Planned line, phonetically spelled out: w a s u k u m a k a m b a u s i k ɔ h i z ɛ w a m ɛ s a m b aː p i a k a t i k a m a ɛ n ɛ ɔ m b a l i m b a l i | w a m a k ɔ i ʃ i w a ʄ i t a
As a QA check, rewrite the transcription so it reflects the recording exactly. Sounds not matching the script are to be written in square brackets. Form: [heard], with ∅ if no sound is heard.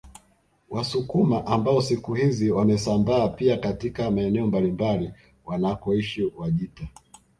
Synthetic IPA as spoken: w a s u k u m a [ʔ] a m b a [ɔ] s i k [u] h i z [i] w a m ɛ s a m b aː p i a k a t i k a m a ɛ n ɛ ɔ m b a l i m b a l i | w a [n] a k ɔ i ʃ i w a ʄ i t a